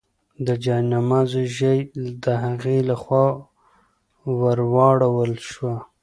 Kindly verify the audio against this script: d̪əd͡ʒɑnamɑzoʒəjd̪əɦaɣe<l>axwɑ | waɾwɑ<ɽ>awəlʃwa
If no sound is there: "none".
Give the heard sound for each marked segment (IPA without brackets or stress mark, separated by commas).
l, ɽ